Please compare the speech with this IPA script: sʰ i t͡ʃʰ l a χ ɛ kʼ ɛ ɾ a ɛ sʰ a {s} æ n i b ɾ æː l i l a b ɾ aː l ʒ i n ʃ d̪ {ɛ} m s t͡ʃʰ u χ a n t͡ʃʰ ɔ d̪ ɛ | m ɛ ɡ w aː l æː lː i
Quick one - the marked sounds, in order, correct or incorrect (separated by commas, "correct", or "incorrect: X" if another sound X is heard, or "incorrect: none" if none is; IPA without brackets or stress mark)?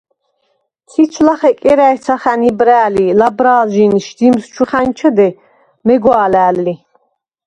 incorrect: χ, incorrect: i